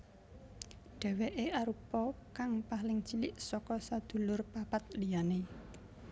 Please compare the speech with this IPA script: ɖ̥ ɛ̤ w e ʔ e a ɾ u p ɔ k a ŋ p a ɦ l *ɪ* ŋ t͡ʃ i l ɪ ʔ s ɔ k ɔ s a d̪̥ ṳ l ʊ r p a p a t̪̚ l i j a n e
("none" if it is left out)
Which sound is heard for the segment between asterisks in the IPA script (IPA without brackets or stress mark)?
ɪ